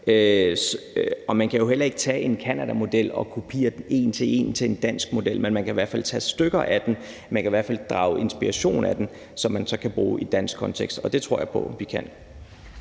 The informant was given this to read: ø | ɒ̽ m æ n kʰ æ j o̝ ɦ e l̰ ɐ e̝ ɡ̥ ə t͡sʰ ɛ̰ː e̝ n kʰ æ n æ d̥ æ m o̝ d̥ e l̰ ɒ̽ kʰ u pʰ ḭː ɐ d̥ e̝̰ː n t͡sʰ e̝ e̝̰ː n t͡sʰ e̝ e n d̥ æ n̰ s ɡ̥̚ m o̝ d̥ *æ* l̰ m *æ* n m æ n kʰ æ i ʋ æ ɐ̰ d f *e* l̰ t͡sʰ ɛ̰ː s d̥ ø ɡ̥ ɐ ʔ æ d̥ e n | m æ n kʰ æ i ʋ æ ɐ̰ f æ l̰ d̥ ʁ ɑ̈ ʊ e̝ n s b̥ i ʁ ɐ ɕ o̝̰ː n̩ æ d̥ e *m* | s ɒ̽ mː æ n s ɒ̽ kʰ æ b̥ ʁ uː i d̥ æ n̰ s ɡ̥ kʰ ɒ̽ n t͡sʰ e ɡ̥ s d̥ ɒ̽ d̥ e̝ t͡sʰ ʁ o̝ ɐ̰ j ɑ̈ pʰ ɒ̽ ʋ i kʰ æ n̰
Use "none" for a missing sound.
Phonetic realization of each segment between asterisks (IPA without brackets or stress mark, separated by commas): e, e, æ, n